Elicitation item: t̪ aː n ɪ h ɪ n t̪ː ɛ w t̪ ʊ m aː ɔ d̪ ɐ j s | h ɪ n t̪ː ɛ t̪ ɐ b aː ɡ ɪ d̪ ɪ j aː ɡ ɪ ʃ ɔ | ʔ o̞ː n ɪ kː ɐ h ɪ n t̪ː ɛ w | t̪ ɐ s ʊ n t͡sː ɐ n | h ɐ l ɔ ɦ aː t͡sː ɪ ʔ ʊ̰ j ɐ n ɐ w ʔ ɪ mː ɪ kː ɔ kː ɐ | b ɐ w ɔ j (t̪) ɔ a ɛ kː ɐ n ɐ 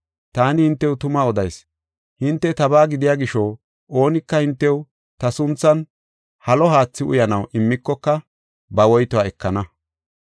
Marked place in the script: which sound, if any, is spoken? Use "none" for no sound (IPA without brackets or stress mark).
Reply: t̪